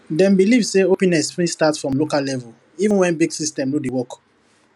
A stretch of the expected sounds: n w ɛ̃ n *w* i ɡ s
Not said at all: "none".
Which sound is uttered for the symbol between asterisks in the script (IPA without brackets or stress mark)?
b